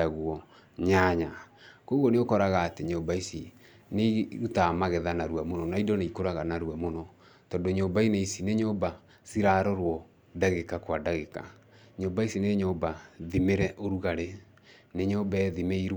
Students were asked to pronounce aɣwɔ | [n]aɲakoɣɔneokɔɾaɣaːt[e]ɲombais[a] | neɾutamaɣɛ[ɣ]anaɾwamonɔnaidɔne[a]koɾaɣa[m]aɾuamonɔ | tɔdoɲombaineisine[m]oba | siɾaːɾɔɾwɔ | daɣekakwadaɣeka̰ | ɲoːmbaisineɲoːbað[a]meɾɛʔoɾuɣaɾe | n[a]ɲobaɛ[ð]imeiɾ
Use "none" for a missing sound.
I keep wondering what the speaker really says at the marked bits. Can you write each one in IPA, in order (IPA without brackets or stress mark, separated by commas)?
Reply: ɲ, e, i, ð, i, n, ɲ, i, e, ð